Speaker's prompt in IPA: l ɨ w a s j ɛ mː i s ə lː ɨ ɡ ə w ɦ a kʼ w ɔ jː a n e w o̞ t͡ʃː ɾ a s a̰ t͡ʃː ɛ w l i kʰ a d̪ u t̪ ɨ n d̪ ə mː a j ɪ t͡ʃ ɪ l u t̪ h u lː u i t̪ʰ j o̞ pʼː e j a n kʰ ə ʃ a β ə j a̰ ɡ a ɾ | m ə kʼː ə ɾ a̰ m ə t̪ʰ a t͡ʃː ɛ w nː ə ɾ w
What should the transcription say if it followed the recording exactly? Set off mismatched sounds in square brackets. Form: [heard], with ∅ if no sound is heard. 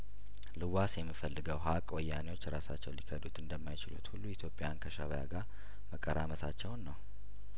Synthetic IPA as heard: l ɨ w a s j ɛ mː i [f] ə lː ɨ ɡ ə w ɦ a kʼ w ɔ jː a n e w o̞ t͡ʃː ɾ a s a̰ t͡ʃː ɛ w l i kʰ [ə] d̪ u t̪ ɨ n d̪ ə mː a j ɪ t͡ʃ ɪ l u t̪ h u lː u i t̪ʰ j o̞ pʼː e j a n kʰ ə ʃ a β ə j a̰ ɡ a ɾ | m ə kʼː ə ɾ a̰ m ə t̪ʰ a t͡ʃː ɛ w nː ə [∅] w